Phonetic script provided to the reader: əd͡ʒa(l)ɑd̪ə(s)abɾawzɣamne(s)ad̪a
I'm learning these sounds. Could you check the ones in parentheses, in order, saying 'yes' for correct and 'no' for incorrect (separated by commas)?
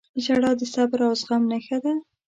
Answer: no, yes, no